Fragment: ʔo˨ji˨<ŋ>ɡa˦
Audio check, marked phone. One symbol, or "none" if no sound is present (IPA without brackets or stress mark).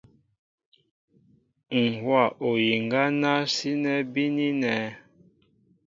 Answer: ŋ